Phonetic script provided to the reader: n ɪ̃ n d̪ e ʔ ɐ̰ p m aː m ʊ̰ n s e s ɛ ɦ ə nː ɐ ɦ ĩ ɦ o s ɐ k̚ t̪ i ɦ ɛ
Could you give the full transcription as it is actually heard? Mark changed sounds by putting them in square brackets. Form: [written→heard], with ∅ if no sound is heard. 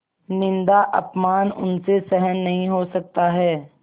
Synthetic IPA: n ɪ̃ n d̪ [e→a] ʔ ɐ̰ p m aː [m→n] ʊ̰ n s e s ɛ ɦ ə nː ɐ ɦ ĩ ɦ o s ɐ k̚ t̪ [i→a] ɦ [ɛ→ɛː]